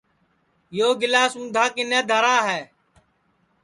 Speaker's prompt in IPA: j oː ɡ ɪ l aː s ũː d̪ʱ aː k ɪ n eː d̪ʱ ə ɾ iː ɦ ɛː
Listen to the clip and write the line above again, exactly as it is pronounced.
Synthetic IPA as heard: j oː ɡ ɪ l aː s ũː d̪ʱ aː k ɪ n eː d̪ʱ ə ɾ aː ɦ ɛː